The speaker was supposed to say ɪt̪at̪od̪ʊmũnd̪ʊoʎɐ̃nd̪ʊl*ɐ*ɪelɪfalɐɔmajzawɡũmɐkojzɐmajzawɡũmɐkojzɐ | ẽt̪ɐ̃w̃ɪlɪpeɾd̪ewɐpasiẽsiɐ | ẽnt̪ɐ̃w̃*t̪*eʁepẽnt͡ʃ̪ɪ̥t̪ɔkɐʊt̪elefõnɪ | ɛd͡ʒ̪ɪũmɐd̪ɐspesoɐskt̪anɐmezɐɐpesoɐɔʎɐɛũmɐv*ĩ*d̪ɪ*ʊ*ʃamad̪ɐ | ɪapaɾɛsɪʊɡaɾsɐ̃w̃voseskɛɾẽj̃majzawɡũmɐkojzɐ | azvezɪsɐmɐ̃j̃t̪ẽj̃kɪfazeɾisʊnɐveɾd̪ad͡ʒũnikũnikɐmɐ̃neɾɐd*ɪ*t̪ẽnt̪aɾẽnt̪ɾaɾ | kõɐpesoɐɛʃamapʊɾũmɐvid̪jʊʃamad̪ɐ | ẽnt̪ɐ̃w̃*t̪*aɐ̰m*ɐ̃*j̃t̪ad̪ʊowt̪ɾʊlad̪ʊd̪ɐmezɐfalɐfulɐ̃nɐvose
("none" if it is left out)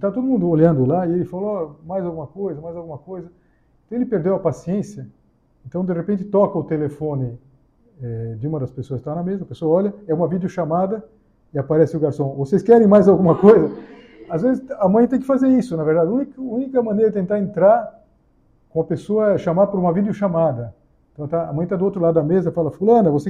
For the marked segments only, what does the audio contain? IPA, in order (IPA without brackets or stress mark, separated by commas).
a, d̪, i, ʊ, ɪ, t̪, ɐ̃